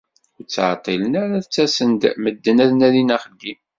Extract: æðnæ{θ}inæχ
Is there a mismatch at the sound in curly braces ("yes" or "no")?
yes